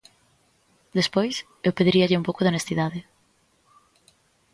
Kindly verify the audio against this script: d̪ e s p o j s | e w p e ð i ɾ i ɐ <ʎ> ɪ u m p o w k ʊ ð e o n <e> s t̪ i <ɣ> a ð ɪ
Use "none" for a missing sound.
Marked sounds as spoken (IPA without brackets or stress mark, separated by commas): ʎ, e, ð